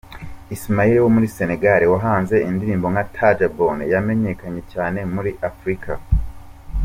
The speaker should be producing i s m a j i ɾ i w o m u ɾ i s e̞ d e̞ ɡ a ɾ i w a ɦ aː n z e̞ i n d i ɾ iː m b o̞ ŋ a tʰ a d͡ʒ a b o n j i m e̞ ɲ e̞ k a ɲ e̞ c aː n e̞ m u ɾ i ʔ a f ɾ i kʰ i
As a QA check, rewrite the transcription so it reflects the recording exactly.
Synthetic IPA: i s m a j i ɾ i w o m u ɾ i s e̞ n e̞ ɡ a ɾ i w a ɦ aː n z e̞ i n d i ɾ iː m b o̞ ŋ a tʰ a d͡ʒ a b o n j a m e̞ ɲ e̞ k a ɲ e̞ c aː n e̞ m u ɾ i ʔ a f ɾ i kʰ a